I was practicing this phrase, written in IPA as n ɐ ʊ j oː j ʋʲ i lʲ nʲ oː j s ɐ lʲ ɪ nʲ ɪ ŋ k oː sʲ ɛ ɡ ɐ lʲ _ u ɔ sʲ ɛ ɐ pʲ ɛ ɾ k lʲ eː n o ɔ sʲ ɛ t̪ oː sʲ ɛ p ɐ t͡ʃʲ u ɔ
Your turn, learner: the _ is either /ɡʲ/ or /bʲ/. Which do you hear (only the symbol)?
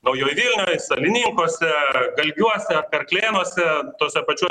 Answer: ɡʲ